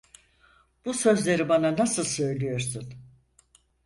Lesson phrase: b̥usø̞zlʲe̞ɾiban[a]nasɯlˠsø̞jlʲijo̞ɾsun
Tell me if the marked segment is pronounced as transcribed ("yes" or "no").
yes